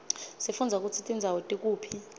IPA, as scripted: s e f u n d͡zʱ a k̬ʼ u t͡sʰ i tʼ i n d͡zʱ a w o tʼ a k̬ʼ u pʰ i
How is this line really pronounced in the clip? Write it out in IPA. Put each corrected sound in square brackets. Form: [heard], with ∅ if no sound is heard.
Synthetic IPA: s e f u n d͡zʱ a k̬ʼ u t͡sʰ i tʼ i n d͡zʱ a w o tʼ [i] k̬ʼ [uː] pʰ i